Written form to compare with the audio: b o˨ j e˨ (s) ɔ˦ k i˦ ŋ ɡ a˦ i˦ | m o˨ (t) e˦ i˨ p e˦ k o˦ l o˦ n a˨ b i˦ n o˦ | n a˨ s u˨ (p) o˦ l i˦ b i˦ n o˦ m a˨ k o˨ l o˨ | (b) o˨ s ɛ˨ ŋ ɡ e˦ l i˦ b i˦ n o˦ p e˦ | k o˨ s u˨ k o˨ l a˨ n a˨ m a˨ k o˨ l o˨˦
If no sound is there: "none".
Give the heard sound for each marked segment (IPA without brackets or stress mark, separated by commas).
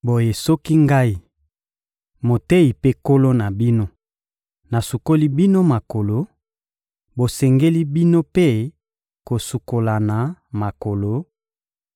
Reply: s, t, k, b